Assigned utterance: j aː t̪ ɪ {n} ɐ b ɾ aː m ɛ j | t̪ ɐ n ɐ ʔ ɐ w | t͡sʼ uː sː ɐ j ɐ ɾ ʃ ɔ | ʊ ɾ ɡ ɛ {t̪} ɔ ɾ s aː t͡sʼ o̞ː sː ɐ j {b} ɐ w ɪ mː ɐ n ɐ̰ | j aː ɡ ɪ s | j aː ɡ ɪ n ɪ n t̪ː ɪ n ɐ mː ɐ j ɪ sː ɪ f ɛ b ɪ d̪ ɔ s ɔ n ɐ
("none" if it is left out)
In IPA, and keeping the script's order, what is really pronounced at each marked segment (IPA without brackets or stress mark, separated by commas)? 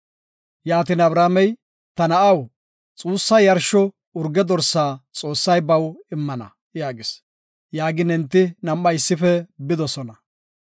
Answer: n, d̪, b